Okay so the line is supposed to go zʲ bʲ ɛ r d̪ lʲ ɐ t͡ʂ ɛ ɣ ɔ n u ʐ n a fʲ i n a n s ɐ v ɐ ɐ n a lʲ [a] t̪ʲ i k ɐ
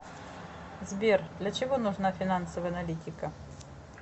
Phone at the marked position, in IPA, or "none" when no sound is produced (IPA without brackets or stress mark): i